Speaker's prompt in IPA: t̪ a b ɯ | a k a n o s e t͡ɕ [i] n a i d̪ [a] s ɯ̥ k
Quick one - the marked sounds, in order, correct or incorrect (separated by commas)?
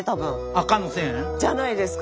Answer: incorrect, incorrect